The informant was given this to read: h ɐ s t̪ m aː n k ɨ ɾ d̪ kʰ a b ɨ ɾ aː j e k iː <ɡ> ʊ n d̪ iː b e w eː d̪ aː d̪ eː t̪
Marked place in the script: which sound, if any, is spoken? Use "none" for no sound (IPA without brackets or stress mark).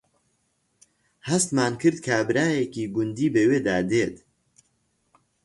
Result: ɡ